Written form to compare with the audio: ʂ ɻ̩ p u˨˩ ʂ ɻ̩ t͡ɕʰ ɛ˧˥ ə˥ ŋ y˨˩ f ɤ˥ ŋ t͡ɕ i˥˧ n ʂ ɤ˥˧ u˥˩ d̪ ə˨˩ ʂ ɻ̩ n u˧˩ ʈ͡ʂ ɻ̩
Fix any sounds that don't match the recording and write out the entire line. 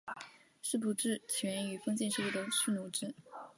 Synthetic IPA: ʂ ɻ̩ p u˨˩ ʈ͡ʂ ɻ̩ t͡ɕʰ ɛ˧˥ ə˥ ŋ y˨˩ f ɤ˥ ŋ t͡ɕ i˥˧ n ʂ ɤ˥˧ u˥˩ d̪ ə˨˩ ʂ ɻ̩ n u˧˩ ʈ͡ʂ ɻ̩